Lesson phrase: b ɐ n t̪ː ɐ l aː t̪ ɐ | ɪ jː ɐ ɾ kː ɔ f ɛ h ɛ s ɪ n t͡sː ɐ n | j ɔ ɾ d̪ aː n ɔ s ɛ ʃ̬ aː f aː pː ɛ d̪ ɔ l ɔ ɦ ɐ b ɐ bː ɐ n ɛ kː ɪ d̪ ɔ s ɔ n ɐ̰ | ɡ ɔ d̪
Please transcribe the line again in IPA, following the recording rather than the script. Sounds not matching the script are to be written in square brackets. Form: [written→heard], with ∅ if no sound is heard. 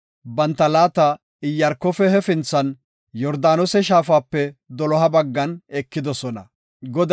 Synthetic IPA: b ɐ n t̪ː ɐ l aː t̪ ɐ | ɪ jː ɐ ɾ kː ɔ f ɛ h ɛ [s→f] ɪ n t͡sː ɐ n | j ɔ ɾ d̪ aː n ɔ s ɛ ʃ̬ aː f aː pː ɛ d̪ ɔ l ɔ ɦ ɐ b ɐ [bː→ɡː] ɐ n ɛ kː ɪ d̪ ɔ s ɔ n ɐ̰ | ɡ ɔ d̪